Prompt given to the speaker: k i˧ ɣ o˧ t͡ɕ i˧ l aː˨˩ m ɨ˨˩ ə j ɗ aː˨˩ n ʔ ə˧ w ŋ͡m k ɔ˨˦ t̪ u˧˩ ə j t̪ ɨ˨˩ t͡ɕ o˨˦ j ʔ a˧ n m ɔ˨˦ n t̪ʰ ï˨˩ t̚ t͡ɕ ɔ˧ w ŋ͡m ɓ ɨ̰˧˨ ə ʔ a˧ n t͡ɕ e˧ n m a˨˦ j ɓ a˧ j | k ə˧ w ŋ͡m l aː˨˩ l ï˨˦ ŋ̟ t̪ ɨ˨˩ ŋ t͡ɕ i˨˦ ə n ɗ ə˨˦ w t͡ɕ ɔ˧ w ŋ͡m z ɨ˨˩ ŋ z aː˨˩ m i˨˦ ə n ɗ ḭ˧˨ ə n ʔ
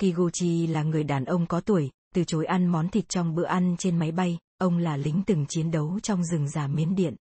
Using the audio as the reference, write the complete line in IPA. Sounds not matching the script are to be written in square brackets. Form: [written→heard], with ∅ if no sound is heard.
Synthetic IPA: k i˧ ɣ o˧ t͡ɕ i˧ l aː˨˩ [m→ŋ] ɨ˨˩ ə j ɗ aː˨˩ n ʔ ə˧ w ŋ͡m k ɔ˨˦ t̪ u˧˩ ə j t̪ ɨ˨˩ t͡ɕ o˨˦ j ʔ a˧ n m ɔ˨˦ n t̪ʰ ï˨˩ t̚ t͡ɕ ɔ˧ w ŋ͡m ɓ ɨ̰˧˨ ə ʔ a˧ n t͡ɕ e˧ n m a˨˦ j ɓ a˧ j | [k→ʔ] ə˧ w ŋ͡m l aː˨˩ l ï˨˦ ŋ̟ t̪ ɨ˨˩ ŋ t͡ɕ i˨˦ ə n ɗ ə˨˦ w t͡ɕ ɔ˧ w ŋ͡m z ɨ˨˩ ŋ z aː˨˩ m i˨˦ ə n ɗ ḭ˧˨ ə n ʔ